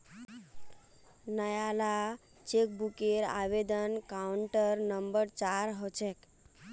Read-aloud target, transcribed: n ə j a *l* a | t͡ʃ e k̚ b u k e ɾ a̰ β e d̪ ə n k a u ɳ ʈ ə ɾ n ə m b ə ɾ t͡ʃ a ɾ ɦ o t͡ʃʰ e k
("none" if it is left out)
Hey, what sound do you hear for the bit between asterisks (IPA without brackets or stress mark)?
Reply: l